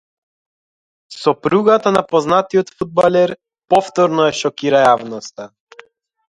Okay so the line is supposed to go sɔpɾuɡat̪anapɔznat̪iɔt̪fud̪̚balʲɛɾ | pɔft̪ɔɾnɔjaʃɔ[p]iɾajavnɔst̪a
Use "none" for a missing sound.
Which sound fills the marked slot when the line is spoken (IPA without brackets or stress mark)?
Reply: k